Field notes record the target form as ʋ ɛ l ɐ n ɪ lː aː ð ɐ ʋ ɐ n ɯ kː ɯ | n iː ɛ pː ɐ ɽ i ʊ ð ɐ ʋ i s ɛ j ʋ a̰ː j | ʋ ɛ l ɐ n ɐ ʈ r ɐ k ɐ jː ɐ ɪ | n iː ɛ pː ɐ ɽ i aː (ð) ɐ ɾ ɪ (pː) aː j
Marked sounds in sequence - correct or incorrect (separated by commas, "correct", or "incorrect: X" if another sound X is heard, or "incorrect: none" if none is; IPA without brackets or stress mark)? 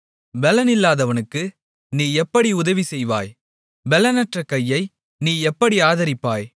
correct, correct